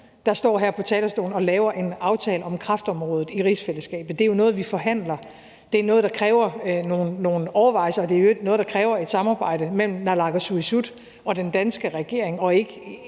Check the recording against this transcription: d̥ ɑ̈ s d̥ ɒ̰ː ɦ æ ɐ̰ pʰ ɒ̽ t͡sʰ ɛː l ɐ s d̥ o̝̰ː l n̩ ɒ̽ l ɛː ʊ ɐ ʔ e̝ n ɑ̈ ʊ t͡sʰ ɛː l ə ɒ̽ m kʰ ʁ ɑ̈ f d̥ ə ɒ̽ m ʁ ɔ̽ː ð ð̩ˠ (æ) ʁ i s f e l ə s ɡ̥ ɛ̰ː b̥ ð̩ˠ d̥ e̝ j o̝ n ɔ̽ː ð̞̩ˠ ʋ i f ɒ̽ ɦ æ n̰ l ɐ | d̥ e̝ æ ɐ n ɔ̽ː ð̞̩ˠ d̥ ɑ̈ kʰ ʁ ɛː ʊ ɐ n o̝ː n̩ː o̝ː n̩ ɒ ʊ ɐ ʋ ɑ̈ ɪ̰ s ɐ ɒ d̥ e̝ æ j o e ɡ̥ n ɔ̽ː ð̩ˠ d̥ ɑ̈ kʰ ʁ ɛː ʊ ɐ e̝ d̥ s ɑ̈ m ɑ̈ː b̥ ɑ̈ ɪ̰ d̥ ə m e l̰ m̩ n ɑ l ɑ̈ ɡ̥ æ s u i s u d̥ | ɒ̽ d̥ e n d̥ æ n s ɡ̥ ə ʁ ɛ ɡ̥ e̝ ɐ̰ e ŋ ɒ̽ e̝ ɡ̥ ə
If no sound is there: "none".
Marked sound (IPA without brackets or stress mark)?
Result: i